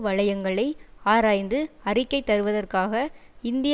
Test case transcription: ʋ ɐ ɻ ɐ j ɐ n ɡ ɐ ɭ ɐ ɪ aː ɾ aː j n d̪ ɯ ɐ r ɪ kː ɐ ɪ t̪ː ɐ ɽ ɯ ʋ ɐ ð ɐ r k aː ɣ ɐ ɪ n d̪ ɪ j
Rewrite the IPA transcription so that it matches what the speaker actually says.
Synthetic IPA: ʋ ɐ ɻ ɐ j ɐ ŋ ɡ ɐ ɭ ɐ ɪ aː ɾ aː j n d̪ ɯ ɐ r ɪ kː ɐ ɪ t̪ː ɐ ɾ ɯ ʋ ɐ ð ɐ r k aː ɣ ɐ ɪ n d̪ ɪ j